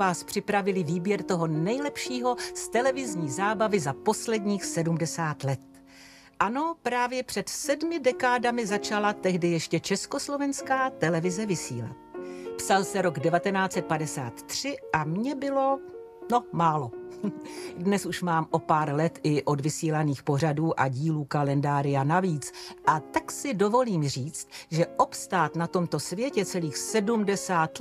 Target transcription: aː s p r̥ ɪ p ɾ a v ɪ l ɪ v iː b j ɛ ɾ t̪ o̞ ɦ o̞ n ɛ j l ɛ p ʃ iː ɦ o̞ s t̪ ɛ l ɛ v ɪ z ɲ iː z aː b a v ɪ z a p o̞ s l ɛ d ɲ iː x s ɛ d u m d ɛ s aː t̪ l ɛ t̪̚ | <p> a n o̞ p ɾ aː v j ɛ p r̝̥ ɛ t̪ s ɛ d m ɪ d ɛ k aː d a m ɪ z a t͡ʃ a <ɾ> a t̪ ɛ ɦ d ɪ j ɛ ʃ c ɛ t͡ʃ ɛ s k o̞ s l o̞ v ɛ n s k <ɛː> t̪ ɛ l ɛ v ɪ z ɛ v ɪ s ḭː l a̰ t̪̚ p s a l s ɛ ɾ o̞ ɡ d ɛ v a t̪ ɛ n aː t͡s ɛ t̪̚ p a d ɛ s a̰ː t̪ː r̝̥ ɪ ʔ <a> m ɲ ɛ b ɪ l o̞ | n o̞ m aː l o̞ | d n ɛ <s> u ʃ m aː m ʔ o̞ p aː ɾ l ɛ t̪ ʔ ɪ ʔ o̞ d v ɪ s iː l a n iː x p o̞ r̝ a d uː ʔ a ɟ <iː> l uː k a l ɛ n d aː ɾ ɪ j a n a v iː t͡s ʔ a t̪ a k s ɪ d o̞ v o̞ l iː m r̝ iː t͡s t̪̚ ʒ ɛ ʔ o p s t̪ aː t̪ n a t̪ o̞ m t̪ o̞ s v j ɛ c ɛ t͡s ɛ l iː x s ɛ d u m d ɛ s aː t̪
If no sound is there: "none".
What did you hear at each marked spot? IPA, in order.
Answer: ʔ, l, aː, a, s, iː

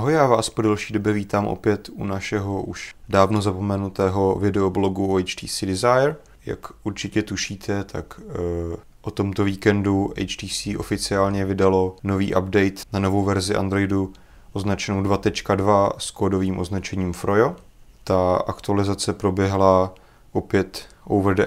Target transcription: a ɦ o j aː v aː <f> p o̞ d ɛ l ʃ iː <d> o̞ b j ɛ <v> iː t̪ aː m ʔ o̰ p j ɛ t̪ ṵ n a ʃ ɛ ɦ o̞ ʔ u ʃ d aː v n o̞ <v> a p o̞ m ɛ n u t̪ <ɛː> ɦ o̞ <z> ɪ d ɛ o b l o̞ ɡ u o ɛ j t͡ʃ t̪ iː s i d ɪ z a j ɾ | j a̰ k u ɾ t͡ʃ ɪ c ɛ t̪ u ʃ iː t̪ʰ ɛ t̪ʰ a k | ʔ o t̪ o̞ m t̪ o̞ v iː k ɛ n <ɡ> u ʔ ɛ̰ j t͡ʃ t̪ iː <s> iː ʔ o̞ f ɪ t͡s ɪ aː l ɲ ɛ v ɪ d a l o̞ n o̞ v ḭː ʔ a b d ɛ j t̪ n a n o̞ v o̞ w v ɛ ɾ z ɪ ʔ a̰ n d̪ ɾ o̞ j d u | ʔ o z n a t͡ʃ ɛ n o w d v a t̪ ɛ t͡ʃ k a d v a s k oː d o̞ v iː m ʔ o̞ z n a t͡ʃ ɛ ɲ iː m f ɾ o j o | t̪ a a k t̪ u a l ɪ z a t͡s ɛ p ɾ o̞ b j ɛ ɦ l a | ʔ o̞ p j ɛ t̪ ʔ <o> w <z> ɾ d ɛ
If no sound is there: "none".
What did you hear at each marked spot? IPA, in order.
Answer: s, d, v, z, ɛː, v, d, s, o, v

